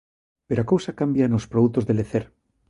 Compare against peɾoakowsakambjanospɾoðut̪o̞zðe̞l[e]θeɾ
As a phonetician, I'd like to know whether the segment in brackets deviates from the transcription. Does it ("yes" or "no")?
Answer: no